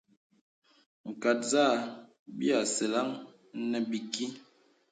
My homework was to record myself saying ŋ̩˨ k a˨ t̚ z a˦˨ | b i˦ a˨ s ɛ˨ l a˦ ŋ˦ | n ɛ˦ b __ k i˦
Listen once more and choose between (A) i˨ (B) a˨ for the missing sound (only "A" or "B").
A